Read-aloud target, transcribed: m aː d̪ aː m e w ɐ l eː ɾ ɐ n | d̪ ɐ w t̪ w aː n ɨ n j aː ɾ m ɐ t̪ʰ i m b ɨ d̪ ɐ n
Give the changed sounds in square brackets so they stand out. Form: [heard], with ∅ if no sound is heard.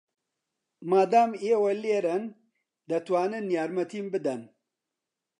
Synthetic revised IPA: m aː d̪ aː m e w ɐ l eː ɾ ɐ n | d̪ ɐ [∅] t̪ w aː n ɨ n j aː ɾ m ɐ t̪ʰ i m b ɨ d̪ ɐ n